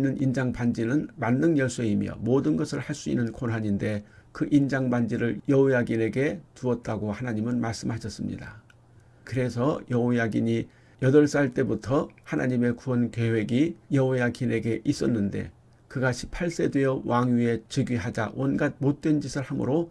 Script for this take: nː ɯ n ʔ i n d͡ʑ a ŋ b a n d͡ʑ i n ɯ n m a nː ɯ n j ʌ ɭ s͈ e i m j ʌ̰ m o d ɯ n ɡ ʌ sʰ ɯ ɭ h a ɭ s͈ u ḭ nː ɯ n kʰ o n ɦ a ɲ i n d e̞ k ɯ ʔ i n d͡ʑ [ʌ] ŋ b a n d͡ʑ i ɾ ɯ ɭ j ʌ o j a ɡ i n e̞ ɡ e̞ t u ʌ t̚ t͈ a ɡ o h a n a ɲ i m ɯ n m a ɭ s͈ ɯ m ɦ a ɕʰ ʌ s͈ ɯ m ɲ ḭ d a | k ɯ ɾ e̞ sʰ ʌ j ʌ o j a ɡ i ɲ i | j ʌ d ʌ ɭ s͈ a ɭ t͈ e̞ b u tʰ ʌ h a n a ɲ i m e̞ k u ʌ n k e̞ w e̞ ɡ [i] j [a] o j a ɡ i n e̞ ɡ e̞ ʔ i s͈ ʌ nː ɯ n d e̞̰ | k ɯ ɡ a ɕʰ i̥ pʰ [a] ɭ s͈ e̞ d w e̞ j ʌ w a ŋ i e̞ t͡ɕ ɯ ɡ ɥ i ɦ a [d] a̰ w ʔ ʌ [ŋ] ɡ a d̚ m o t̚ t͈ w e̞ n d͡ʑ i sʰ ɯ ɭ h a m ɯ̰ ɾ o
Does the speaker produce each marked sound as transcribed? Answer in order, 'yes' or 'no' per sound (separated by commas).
no, yes, no, yes, no, no